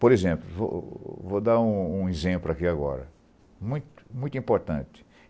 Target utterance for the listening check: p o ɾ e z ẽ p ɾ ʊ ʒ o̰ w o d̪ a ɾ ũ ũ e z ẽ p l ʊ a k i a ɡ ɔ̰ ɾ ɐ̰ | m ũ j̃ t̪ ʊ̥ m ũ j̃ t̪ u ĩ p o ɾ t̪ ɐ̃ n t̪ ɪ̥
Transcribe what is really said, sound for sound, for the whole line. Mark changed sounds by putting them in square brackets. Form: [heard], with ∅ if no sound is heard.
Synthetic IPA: p o ɾ e z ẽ p [l] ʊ [v] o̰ [v] o d̪ a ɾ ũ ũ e z ẽ p l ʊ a k i a ɡ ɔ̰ ɾ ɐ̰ | m ũ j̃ t̪ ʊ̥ m ũ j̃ t̪ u ĩ p o ɾ t̪ ɐ̃ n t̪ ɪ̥

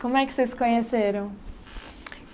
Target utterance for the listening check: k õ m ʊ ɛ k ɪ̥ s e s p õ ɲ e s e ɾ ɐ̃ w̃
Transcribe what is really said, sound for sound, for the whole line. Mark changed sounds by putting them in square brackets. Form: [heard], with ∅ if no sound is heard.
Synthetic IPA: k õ m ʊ ɛ k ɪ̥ s e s [k] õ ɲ e s e ɾ ɐ̃ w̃

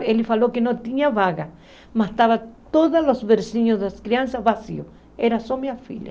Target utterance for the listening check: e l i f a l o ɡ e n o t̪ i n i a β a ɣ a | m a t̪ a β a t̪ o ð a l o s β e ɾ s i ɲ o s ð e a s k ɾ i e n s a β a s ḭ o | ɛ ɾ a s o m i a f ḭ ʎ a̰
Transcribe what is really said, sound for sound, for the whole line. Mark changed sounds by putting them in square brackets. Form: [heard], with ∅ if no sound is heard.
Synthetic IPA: e l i f a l o [k] e n o t̪ i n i a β a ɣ a | m a t̪ a β a t̪ o ð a l o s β e ɾ s i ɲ o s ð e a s k ɾ i [a] n s a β a s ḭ o | [e] ɾ a s o m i a f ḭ ʎ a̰

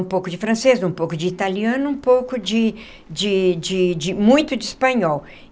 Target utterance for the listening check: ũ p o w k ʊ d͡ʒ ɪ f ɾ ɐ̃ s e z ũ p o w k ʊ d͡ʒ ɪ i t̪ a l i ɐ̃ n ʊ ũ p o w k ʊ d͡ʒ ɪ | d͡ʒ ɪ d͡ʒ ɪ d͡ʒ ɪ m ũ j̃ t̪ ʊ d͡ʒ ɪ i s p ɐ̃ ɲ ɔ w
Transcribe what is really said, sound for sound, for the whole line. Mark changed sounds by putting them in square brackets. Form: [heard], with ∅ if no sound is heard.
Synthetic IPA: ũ p o w k ʊ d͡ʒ ɪ f ɾ ɐ̃ s e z ũ p o w k ʊ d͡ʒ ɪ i t̪ a l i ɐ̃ n ʊ ũ p o w k ʊ d͡ʒ ɪ | d͡ʒ ɪ d͡ʒ ɪ d͡ʒ ɪ m ũ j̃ t̪ ʊ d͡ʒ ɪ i s p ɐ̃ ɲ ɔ w

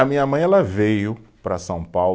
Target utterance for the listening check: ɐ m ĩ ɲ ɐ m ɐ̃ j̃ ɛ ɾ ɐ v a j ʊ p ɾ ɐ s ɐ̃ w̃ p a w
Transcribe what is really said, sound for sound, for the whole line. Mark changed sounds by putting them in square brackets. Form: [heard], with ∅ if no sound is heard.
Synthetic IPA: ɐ m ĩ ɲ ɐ m ɐ̃ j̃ ɛ [l] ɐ v [e] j ʊ p ɾ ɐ s ɐ̃ w̃ p a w

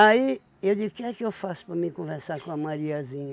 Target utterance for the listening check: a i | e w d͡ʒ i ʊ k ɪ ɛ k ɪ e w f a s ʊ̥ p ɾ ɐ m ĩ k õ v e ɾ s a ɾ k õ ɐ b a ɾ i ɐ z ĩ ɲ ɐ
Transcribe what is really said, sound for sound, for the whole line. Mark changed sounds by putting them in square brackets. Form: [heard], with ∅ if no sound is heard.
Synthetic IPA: a i | e w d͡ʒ i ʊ k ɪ ɛ k ɪ e w f a s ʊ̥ p ɾ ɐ m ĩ k õ v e ɾ s a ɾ k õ ɐ [m] a ɾ i ɐ z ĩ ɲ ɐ

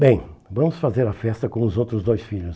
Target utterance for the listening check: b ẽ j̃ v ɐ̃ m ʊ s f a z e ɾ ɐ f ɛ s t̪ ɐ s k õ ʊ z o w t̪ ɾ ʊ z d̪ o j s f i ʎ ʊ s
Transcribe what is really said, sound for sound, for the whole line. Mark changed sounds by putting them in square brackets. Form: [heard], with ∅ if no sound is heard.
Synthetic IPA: b ẽ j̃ v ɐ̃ m ʊ s f a z e ɾ ɐ f ɛ s t̪ ɐ [∅] k õ ʊ z o w t̪ ɾ ʊ z d̪ o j s f i ʎ ʊ s

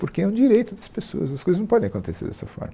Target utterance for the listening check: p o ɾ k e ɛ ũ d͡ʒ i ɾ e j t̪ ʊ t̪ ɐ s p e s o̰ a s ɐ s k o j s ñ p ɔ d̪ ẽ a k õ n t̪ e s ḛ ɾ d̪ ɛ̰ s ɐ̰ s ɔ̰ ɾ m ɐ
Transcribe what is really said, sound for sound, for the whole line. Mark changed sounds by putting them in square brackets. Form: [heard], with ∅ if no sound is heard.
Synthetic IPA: p o ɾ k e ɛ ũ d͡ʒ i ɾ e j t̪ ʊ [d̪] ɐ s p e s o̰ [ɐ] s ɐ s k o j [z] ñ p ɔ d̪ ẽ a k õ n t̪ e s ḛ ɾ d̪ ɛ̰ s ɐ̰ [f] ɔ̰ ɾ m ɐ

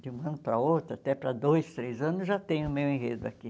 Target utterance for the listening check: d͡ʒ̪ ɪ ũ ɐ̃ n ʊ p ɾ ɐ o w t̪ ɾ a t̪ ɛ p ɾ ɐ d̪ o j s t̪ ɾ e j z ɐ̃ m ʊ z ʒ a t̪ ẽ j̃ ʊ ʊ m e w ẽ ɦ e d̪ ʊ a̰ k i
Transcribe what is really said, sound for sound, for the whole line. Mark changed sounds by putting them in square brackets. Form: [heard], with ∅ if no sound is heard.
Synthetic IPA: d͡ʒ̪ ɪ ũ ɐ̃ n ʊ p ɾ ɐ o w t̪ ɾ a t̪ ɛ p ɾ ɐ d̪ o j s t̪ ɾ e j z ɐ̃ [n] ʊ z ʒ a t̪ ẽ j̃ ʊ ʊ m e w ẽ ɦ e d̪ ʊ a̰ k i

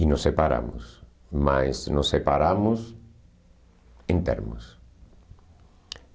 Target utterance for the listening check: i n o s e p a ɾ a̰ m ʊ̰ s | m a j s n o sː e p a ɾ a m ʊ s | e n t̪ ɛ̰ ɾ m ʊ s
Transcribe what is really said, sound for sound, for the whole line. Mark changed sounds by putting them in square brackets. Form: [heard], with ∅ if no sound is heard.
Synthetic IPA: i n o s e p a ɾ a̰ m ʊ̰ s | m a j s n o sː e p a ɾ a m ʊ s | e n t̪ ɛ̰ ɾ m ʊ s

